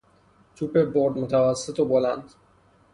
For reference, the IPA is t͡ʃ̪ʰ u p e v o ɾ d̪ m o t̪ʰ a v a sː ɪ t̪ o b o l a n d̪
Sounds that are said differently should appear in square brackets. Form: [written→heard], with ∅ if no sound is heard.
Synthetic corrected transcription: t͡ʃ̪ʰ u p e [v→b] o ɾ d̪ m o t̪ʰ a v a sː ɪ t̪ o b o l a n d̪